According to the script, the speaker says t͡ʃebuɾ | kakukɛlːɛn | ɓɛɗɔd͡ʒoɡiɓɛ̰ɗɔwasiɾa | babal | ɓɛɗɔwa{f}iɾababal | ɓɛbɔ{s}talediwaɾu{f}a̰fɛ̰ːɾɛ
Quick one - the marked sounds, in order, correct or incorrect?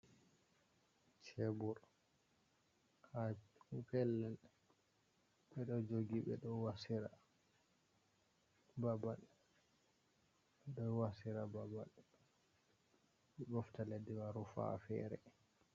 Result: incorrect, incorrect, correct

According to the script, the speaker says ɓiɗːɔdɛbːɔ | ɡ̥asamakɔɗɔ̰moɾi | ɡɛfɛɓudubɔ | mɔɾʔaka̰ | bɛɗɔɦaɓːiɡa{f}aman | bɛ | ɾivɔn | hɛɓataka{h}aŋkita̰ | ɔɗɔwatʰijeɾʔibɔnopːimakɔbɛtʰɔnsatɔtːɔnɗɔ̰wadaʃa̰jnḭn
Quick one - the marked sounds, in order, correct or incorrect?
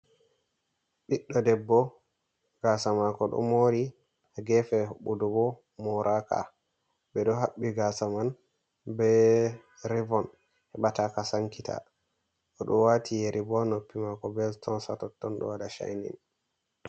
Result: incorrect, incorrect

